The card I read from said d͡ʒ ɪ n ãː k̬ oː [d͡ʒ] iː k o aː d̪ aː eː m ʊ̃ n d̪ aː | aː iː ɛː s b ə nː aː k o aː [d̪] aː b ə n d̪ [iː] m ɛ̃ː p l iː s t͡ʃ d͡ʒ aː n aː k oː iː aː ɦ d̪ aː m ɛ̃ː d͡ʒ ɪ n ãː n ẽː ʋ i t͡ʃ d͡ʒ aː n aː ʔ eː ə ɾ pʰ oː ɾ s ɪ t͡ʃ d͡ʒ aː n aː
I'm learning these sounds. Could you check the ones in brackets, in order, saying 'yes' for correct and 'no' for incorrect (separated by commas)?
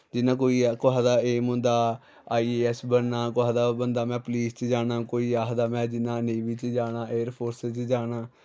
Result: no, yes, no